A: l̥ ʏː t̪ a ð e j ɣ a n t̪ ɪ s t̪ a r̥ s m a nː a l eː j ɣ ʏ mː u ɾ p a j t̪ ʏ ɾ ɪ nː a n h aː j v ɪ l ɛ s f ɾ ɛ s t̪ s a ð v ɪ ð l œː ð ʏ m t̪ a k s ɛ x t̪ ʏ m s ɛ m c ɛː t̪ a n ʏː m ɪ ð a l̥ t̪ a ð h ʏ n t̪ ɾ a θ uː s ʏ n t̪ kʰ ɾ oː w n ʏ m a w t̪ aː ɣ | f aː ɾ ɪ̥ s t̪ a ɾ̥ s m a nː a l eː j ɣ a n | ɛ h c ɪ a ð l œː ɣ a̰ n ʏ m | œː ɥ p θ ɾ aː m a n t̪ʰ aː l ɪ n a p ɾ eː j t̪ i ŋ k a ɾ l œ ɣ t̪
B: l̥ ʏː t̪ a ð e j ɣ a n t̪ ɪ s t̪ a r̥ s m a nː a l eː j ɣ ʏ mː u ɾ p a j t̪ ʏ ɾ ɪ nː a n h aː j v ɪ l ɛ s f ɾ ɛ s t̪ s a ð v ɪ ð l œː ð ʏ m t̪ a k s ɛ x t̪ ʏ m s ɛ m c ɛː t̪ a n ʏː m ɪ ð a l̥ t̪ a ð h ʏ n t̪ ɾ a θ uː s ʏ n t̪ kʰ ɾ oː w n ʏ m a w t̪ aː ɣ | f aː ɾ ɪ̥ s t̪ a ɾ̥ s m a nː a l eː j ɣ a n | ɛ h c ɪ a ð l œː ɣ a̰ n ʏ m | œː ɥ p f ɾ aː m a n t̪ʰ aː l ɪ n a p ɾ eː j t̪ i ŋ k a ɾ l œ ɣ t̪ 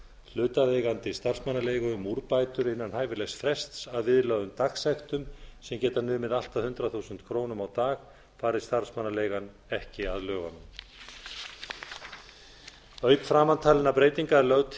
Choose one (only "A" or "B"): B